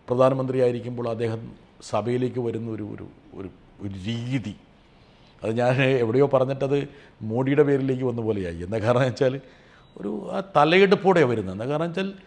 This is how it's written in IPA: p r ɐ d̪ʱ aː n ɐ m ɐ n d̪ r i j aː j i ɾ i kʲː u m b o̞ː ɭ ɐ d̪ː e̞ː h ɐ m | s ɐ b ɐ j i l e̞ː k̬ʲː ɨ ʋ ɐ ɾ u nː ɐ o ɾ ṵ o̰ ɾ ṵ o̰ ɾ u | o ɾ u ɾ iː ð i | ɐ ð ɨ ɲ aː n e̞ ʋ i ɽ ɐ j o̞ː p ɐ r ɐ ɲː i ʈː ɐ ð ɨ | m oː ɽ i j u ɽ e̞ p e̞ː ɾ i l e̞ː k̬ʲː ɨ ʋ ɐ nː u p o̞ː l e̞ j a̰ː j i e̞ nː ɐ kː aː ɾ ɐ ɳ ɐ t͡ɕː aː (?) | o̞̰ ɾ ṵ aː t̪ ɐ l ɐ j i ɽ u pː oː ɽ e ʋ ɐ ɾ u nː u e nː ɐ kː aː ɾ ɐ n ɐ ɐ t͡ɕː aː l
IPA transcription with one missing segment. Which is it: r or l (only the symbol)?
l